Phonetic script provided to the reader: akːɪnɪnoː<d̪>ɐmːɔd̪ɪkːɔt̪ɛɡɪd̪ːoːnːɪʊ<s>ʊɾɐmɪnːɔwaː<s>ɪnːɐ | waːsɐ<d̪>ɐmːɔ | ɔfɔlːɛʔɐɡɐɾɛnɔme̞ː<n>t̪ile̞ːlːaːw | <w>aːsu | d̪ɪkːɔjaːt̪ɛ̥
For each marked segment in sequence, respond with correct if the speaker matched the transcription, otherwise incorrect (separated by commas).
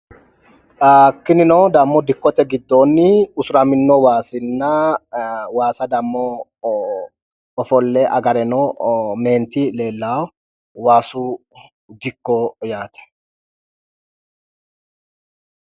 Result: correct, correct, correct, correct, correct, correct